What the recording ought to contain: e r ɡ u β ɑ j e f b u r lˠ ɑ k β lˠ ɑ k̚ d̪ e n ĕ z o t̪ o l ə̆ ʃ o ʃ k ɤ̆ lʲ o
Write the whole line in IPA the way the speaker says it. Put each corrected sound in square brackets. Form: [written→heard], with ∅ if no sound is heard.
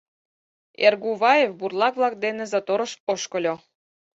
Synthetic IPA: e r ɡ u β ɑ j e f b u r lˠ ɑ k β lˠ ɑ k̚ d̪ e n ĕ z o t̪ o [l→ɾ] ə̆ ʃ o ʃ k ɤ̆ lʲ o

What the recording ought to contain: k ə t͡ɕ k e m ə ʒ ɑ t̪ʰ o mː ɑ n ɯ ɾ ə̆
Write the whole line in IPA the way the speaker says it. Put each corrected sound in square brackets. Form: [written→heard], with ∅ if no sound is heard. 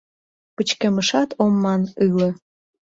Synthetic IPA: [k→p] ə t͡ɕ k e m ə [ʒ→ʃ] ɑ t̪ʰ o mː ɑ n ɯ [ɾ→l] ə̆

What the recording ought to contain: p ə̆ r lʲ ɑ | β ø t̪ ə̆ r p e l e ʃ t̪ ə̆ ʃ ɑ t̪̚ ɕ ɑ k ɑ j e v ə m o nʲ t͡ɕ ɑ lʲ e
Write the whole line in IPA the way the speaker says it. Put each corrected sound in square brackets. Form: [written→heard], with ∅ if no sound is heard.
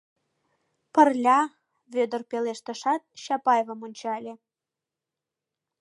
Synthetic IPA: p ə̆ r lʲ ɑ | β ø [t̪→d̪] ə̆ r p e l e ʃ t̪ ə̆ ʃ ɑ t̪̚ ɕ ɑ [k→p] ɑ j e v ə m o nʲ t͡ɕ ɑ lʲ e

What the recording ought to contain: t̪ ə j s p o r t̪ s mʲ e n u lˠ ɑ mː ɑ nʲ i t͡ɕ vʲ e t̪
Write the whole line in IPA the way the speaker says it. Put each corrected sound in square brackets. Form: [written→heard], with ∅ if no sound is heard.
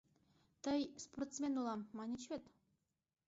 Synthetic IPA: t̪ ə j s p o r t̪ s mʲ e n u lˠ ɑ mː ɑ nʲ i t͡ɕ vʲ e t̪

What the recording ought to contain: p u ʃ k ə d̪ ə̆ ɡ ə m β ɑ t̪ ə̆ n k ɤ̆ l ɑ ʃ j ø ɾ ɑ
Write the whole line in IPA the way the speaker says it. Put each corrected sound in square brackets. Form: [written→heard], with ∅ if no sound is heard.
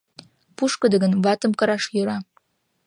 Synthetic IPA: p u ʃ k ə d̪ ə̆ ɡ ə [m→n] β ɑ t̪ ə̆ [n→m] k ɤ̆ [l→ɾ] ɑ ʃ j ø ɾ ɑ

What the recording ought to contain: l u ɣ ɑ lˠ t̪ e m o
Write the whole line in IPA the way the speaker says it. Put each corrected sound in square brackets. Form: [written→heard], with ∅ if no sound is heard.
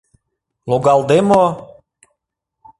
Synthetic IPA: l [u→o] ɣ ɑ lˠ [t̪→d̪] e m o

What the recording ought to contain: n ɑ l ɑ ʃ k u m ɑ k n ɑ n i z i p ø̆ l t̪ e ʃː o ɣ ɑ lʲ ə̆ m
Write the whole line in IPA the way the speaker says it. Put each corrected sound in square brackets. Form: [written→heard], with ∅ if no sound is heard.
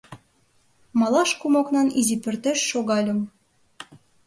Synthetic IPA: [n→m] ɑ l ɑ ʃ k u m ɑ k n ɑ n i z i p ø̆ [l→r] t̪ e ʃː o ɣ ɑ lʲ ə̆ m

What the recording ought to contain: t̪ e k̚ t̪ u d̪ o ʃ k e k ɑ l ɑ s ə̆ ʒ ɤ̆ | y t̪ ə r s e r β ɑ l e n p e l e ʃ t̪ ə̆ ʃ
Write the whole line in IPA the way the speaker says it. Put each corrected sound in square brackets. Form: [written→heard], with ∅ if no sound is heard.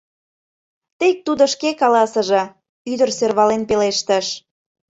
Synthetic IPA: t̪ e k̚ t̪ u d̪ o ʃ k e k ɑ l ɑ s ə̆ ʒ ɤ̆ | y [t̪→d̪] ə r s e r β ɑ l e n p e l e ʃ t̪ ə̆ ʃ

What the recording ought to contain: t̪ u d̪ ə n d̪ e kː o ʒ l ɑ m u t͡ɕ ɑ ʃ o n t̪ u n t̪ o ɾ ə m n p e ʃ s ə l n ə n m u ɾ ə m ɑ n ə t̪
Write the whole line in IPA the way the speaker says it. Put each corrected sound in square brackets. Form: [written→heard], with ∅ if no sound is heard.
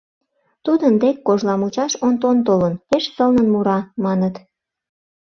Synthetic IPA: t̪ u d̪ ə n d̪ e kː o ʒ l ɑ m u t͡ɕ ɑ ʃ o n t̪ [u→o] n t̪ o [ɾ→l] ə [m→∅] n p e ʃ s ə l n ə n m u ɾ [ə→ɑ] m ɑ n ə t̪

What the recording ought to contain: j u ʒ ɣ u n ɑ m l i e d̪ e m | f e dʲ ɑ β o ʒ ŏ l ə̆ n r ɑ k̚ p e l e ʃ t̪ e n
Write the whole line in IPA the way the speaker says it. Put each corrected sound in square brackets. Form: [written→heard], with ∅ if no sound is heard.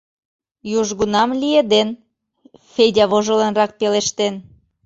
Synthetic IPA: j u ʒ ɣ u n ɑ m l i e d̪ e [m→n] | f e dʲ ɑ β o ʒ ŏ l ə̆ n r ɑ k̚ p e l e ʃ t̪ e n

